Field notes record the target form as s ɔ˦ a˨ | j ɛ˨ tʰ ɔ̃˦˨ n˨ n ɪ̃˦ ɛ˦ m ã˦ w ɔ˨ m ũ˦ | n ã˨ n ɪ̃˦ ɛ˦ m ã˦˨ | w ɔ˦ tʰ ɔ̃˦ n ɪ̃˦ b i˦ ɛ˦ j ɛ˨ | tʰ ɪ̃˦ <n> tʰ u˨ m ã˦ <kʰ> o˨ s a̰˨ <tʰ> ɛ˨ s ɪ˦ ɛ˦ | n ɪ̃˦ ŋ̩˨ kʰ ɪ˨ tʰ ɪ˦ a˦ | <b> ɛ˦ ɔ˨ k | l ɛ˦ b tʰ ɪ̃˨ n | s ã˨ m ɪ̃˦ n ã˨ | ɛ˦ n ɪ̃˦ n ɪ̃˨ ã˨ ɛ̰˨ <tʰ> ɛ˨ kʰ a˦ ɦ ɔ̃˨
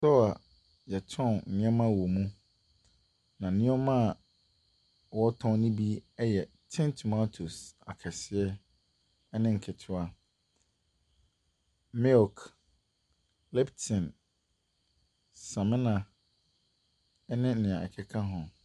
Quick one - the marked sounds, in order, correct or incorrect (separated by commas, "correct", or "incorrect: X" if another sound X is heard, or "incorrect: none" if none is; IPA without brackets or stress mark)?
correct, incorrect: tʰ, incorrect: kʰ, incorrect: m, incorrect: kʰ